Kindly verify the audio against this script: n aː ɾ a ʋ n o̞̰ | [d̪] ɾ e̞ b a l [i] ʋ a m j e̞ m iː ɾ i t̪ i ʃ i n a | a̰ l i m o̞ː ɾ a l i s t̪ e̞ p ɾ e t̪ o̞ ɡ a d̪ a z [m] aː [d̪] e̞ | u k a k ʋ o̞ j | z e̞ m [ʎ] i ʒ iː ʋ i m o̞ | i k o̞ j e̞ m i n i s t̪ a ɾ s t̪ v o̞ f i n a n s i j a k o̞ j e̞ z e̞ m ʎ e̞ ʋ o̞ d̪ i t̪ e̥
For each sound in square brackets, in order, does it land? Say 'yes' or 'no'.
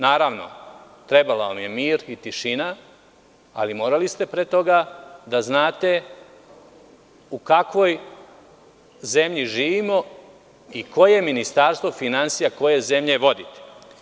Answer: no, no, no, no, yes

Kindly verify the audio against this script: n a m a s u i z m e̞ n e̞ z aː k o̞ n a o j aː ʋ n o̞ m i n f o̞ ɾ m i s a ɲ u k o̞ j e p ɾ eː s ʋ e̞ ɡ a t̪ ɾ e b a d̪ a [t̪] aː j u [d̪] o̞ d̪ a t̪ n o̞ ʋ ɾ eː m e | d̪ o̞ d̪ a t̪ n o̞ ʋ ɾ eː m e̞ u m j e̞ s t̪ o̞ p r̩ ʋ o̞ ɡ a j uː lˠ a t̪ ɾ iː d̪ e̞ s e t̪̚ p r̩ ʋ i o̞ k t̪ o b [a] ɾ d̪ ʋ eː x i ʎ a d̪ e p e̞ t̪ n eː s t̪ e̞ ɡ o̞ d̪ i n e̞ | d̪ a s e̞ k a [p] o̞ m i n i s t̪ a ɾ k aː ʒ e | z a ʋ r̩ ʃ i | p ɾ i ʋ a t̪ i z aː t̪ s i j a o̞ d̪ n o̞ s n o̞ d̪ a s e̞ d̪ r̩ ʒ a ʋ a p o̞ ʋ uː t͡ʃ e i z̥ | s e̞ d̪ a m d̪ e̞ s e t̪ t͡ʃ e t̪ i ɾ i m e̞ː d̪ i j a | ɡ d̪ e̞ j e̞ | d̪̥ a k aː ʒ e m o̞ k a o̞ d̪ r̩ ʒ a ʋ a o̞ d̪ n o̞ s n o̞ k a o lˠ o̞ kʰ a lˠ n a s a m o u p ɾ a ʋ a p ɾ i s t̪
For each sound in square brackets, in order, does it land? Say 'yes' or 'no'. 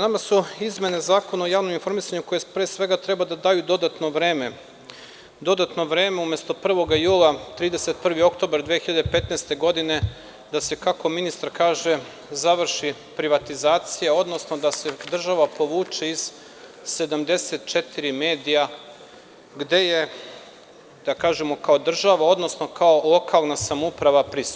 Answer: no, yes, yes, no

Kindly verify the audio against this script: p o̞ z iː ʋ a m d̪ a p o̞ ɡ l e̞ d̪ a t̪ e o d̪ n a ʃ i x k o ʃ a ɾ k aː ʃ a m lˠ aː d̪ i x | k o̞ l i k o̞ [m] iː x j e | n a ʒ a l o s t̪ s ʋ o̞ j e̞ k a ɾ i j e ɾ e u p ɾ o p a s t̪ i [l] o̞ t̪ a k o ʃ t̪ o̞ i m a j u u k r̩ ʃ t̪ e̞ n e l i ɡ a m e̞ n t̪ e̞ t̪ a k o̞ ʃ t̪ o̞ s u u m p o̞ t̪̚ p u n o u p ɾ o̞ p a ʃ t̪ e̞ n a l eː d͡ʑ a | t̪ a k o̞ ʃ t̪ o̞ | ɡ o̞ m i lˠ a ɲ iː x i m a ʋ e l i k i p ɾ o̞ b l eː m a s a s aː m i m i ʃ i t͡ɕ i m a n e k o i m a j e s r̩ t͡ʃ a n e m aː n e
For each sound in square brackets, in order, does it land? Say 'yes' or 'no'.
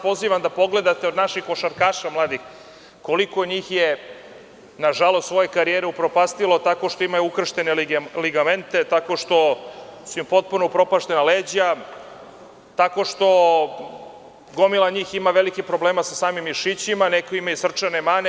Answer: no, yes

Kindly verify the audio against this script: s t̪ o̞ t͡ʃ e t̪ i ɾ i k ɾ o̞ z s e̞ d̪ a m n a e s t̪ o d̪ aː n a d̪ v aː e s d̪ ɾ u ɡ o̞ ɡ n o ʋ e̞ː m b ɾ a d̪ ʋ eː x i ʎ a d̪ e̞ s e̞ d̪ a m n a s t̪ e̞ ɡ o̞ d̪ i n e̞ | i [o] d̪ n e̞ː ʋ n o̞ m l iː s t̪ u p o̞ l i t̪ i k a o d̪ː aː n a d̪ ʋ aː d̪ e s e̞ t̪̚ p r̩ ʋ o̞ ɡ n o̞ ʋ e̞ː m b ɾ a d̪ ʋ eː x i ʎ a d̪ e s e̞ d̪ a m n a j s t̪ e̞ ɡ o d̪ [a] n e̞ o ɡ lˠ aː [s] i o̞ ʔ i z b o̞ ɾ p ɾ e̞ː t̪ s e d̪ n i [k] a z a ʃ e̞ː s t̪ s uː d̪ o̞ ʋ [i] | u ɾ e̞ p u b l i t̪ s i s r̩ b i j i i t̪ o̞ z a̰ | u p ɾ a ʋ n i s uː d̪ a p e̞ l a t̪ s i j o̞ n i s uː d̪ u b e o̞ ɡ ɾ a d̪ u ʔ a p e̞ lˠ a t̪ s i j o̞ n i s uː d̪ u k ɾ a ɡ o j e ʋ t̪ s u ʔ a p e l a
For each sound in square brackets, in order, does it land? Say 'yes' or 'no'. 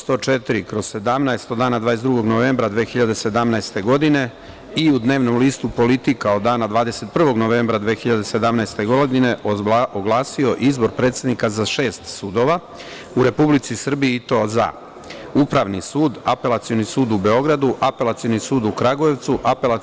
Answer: no, no, yes, yes, no

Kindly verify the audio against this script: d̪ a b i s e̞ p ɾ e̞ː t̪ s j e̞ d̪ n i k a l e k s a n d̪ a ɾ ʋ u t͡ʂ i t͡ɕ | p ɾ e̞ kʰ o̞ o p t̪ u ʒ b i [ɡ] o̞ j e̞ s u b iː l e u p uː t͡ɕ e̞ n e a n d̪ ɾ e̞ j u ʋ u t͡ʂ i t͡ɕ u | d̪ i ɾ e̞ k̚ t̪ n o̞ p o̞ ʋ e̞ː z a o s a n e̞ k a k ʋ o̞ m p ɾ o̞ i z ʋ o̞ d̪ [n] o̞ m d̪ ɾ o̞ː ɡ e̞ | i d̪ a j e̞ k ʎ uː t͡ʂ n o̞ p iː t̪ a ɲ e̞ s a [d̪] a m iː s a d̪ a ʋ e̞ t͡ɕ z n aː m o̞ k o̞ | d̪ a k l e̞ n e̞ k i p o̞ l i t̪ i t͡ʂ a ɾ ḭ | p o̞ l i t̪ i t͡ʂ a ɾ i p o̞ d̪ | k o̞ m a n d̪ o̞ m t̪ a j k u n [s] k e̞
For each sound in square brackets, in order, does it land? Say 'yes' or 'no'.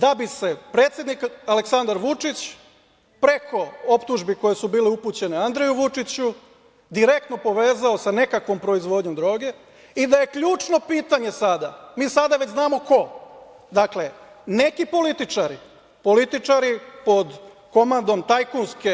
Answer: no, no, yes, yes

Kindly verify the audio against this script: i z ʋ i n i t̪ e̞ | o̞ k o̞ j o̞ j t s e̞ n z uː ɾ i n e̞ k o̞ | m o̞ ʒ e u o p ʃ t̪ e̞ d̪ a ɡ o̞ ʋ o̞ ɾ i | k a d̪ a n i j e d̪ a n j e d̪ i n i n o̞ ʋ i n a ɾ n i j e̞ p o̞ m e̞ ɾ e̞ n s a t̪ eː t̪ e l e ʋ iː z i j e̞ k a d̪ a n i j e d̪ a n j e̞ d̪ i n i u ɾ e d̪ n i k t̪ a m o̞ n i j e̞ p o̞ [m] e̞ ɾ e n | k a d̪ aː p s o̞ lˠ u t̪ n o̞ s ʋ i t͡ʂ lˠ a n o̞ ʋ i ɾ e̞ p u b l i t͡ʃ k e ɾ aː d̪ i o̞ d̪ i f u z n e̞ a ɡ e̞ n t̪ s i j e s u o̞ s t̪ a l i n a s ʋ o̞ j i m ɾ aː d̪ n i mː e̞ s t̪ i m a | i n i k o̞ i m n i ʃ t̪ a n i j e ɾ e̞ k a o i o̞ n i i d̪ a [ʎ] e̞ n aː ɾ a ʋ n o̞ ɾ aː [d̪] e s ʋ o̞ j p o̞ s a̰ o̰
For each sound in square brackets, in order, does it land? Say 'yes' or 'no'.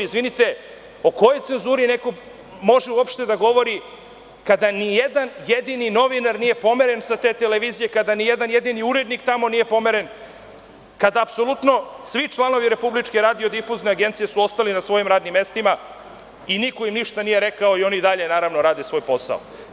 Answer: yes, yes, yes

